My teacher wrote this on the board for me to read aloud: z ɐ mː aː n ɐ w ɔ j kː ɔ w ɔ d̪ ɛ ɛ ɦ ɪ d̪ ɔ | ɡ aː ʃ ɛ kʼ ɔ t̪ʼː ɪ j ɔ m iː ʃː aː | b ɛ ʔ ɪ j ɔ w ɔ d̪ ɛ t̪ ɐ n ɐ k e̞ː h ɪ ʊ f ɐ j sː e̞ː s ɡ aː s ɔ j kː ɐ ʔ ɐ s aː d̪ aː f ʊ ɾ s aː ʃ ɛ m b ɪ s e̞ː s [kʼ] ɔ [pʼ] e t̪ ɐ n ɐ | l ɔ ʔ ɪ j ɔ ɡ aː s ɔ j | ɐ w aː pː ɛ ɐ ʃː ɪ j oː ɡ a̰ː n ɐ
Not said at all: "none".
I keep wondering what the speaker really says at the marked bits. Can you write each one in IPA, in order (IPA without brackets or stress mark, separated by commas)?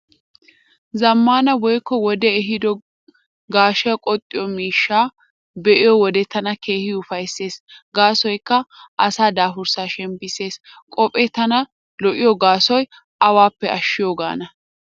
kʼ, pʼ